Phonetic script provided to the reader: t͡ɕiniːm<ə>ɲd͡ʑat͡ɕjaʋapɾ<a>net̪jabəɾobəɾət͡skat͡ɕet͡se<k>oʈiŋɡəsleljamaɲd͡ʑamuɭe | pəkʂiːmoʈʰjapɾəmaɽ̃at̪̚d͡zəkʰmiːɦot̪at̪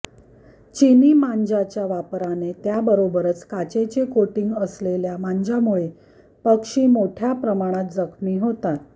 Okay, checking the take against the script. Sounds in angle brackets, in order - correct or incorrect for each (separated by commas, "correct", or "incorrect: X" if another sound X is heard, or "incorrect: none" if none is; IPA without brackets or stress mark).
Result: incorrect: a, correct, correct